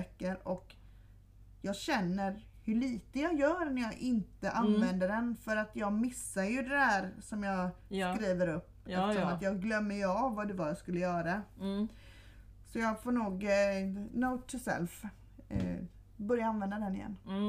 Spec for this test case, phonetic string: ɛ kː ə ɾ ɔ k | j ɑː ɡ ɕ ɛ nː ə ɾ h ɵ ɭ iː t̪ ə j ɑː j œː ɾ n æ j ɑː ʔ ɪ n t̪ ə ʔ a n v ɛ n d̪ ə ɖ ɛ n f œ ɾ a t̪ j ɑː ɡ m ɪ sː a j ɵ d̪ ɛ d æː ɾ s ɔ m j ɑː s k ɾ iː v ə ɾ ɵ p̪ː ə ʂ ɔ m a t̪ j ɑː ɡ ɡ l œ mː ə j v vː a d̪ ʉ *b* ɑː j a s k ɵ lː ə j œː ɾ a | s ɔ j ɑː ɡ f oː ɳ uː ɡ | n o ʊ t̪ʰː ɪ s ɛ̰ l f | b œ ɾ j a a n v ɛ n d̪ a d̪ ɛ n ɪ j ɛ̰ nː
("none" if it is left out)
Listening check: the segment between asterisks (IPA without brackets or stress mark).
v